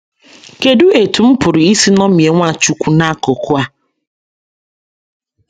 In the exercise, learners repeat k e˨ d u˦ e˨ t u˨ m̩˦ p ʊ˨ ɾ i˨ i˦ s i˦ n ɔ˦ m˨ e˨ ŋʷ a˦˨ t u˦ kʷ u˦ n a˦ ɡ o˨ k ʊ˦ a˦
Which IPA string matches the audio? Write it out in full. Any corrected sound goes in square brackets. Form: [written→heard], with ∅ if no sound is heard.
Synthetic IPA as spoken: k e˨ d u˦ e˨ t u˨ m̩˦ p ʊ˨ ɾ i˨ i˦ s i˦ n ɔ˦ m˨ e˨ ŋʷ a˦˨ [t→t͡ʃ] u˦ kʷ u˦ n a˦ [ɡ→k] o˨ k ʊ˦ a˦

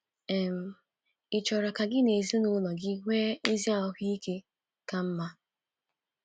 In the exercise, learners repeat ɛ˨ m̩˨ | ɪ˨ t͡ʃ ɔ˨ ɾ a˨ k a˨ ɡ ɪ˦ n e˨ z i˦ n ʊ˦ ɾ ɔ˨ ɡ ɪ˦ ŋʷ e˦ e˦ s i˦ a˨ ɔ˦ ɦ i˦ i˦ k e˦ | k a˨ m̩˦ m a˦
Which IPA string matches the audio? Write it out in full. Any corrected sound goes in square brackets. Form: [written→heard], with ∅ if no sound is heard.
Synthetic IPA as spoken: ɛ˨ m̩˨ | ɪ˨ t͡ʃ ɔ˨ ɾ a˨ k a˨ ɡ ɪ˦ n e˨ z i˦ n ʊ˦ [ɾ→l] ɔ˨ ɡ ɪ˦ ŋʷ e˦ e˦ [s→z] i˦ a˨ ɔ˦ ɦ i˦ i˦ k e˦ | k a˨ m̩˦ m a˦

